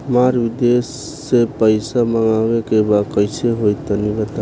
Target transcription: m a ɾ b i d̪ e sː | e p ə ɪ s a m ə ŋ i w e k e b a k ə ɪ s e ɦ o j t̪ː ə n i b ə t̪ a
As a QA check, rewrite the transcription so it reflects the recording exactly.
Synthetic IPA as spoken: m a ɾ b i d̪ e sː | e p ə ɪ s a m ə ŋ a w e k e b a k ə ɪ s e ɦ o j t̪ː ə n i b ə t̪ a